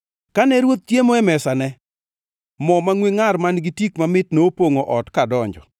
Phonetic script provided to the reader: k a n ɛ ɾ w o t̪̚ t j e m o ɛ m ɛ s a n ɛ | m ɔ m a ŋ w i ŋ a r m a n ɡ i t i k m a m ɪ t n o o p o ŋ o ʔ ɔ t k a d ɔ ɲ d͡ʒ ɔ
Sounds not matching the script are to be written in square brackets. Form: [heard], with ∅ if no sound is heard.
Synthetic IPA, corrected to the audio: k a n ɛ ɾ w o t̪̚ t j e m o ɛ m ɛ s a n ɛ | m ɔ m a ŋ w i ŋ a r m a n ɡ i t i k m a m ɪ t n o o p o ŋ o ʔ ɔ t k a d ɔ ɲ d͡ʒ ɔ